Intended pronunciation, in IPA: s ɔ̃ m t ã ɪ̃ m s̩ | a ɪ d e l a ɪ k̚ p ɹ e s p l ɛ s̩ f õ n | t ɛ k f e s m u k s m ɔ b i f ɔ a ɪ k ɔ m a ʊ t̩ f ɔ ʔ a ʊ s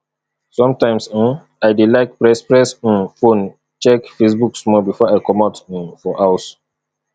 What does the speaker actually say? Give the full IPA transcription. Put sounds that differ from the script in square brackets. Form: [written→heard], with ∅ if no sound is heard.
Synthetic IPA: s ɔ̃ m t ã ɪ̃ m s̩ | a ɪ d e l a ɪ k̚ p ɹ [e→ɛ] s p [l→ɹ] ɛ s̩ f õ n | [t→t͡ʃ] ɛ k f e s [m→b] u k s m ɔ b i f ɔ a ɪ k ɔ m a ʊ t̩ f ɔ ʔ a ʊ s